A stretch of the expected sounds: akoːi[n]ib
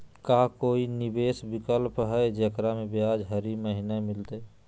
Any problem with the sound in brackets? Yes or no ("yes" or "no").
no